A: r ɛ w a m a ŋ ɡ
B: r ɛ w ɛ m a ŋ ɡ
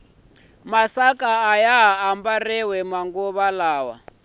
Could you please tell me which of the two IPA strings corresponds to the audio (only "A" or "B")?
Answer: B